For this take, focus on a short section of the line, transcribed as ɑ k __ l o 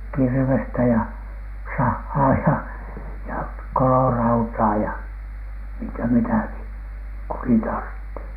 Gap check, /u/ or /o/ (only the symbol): o